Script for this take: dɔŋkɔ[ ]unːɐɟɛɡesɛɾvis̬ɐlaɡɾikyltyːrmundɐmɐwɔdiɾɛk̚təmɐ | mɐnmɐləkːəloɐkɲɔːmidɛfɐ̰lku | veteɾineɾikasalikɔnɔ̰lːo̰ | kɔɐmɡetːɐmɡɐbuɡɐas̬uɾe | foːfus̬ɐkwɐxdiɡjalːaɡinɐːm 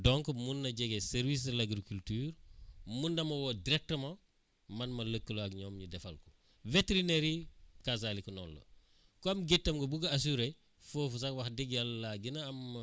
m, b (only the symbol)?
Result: m